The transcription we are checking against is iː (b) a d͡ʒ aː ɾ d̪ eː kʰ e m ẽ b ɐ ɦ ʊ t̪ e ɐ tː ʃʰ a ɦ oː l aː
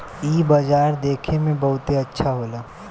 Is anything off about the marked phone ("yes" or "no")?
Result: no